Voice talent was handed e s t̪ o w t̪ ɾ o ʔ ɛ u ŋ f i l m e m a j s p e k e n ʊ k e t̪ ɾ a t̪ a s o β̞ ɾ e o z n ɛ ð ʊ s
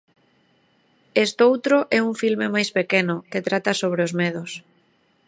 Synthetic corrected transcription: e s t̪ o w t̪ ɾ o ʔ ɛ u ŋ f i l m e m a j s p e k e n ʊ k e t̪ ɾ a t̪ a s o β̞ ɾ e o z m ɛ ð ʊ s